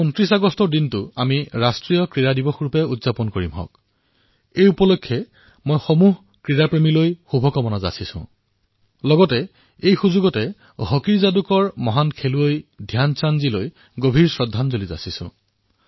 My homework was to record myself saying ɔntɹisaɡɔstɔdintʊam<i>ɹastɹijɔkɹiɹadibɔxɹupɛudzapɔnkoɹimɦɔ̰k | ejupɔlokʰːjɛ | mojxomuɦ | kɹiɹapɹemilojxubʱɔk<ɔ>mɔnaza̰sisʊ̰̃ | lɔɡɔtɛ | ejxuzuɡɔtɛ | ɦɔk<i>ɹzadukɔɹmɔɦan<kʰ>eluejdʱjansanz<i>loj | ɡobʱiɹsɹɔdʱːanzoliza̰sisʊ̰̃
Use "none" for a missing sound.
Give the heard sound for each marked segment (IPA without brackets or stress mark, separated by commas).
i, ɔ, i, kʰ, i